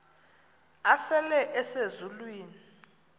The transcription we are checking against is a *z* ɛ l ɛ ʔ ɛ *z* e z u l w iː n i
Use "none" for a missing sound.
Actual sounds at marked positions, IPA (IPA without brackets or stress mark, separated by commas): s, s